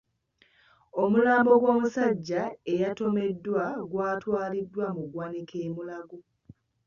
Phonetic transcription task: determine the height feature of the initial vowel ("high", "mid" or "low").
mid